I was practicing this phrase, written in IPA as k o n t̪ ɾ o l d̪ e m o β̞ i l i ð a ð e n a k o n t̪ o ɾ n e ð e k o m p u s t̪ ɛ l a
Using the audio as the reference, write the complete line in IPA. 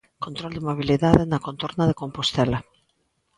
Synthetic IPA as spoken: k o n t̪ ɾ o l d̪ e m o β̞ i l i ð a ð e n a k o n t̪ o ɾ n a ð e k o m p o s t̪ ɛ l a